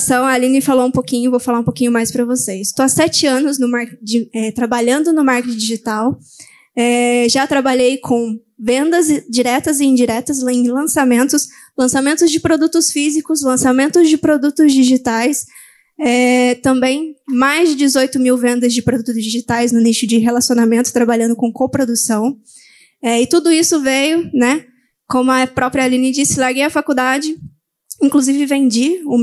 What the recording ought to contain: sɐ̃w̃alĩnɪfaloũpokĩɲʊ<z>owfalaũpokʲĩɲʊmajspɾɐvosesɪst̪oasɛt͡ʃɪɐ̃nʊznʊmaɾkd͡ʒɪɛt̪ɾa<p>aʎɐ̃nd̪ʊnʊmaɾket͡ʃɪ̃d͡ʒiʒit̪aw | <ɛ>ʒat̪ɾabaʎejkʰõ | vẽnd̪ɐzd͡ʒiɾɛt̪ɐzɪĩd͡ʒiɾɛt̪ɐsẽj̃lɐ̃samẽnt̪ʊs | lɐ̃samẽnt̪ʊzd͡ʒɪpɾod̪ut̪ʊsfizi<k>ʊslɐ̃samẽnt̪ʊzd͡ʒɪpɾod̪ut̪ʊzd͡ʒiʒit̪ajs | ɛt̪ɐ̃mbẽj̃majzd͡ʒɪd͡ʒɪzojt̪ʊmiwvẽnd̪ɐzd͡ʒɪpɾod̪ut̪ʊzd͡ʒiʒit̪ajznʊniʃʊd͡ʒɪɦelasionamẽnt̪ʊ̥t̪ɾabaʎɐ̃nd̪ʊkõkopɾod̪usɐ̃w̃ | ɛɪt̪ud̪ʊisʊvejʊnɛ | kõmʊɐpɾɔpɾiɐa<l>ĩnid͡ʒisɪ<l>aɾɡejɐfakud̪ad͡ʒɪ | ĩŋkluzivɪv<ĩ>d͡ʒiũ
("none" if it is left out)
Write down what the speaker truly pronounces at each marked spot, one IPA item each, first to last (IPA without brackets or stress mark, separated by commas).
v, b, ɛ, k, l, l, ẽ